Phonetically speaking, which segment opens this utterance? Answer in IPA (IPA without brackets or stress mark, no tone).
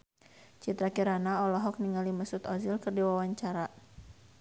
t͡ʃ